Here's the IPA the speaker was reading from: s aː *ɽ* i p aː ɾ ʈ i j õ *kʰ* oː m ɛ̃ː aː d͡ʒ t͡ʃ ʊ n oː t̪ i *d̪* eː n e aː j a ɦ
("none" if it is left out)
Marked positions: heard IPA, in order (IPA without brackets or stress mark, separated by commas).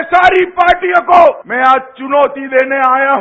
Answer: ɾ, k, d̪